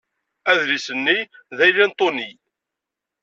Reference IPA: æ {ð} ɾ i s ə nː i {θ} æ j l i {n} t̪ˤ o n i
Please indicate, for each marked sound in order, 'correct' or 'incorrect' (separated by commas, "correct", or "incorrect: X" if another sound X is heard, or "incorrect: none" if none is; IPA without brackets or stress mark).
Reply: correct, incorrect: ð, correct